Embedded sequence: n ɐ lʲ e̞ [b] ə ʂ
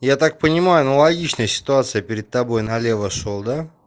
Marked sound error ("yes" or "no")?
yes